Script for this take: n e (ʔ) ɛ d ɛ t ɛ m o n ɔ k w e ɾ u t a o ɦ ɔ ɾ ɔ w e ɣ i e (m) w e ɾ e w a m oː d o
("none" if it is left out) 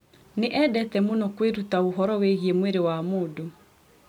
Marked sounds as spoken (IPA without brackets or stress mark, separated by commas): ʔ, m